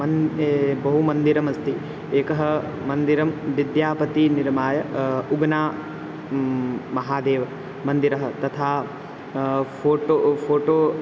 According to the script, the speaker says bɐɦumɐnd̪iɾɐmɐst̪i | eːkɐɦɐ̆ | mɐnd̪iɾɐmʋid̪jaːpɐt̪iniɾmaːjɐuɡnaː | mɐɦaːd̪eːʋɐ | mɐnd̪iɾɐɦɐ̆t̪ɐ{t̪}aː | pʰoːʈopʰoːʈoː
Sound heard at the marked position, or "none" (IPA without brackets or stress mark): t̪ʰ